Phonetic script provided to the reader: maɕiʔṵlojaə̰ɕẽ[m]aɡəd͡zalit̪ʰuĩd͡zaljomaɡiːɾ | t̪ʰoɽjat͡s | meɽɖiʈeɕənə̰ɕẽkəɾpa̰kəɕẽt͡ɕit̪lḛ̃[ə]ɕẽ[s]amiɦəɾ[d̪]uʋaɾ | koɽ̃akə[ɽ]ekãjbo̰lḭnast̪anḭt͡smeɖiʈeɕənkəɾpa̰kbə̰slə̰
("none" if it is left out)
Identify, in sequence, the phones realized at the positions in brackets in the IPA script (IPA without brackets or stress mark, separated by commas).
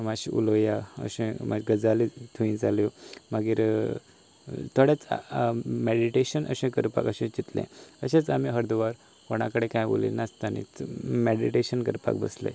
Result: m, ə, t͡s, d̪, ɽ